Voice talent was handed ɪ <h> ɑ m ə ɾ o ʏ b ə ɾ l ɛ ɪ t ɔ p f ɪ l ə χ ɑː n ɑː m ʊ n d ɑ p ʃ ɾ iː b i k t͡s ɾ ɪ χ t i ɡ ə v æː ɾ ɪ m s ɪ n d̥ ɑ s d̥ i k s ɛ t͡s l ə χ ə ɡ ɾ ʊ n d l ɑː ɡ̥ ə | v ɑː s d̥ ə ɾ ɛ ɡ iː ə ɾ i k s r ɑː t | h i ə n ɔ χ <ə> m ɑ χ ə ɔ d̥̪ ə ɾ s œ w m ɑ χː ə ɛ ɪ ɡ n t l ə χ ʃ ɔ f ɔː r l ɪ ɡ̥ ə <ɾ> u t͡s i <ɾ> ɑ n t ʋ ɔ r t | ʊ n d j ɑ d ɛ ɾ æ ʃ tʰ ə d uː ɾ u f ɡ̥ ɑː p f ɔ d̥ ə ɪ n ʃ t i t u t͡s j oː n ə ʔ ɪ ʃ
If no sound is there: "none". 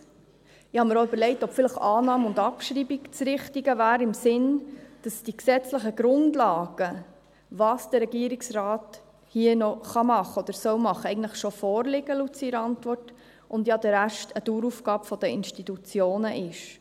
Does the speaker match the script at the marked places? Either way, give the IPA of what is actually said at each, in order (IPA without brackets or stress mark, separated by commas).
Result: h, ɑ, l, ɾ